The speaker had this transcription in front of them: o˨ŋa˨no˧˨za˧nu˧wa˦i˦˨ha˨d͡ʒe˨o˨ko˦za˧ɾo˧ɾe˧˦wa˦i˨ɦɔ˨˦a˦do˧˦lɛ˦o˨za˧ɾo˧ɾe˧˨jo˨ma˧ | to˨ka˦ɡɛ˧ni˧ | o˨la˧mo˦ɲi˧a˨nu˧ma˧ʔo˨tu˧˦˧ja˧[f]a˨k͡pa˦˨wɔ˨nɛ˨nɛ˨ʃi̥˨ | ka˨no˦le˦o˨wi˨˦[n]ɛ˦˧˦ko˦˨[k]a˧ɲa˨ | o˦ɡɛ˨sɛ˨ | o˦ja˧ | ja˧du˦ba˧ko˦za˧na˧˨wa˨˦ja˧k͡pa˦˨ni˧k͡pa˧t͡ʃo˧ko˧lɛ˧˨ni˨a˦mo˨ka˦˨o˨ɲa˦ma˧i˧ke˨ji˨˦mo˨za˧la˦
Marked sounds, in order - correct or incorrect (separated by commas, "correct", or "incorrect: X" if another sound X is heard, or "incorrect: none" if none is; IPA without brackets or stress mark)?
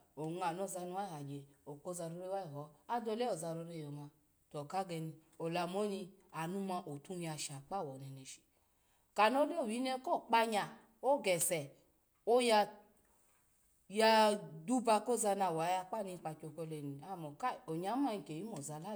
incorrect: ʃ, correct, incorrect: k͡p